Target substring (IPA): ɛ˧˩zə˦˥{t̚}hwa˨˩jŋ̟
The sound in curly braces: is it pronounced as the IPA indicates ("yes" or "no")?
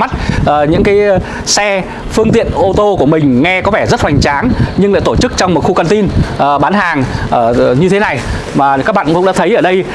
yes